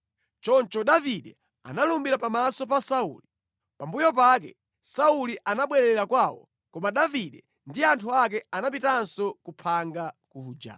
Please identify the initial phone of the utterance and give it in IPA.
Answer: t͡ʃ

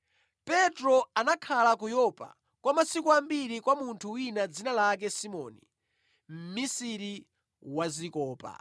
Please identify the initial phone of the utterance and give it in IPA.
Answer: p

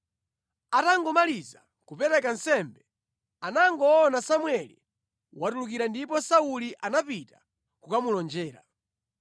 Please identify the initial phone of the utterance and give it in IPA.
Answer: a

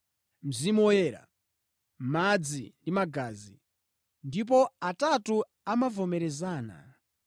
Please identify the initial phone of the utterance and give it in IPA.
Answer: m̩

